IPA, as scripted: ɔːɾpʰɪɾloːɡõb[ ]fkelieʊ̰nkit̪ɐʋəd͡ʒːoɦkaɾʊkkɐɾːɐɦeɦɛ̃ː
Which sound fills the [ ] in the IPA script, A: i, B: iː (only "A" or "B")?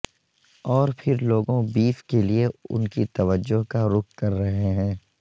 B